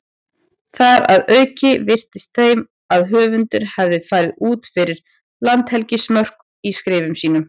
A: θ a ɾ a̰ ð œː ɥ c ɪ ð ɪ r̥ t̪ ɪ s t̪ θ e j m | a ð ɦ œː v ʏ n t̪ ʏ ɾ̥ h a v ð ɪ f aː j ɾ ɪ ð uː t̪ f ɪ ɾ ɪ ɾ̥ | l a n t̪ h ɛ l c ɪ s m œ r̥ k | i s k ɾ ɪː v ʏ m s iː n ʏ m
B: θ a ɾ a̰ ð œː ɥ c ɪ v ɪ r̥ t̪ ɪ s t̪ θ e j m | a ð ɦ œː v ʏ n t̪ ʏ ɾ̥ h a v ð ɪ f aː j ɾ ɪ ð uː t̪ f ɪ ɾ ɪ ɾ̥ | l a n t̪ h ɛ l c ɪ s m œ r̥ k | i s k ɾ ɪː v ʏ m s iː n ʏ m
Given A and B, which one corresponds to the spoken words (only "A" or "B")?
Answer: B